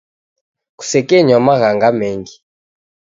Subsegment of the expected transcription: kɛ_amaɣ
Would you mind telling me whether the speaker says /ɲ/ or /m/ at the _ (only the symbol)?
ɲ